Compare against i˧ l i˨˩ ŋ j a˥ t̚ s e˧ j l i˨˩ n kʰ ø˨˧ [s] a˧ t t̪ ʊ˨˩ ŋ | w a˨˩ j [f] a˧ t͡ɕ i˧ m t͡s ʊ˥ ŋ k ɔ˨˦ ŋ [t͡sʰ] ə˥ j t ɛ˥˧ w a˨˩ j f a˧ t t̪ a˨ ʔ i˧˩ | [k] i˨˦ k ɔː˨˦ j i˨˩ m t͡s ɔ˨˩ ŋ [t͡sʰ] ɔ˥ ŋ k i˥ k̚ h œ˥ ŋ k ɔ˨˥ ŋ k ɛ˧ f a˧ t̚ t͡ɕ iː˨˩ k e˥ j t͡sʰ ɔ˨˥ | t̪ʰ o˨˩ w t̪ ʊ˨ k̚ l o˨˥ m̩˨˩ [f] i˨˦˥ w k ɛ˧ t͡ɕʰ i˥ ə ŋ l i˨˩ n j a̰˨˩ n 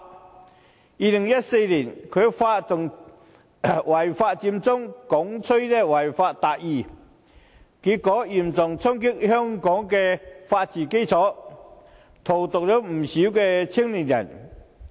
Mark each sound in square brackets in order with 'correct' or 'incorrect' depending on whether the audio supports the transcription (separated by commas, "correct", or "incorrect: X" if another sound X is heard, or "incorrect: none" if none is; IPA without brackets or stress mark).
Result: incorrect: f, correct, correct, correct, correct, incorrect: ɕ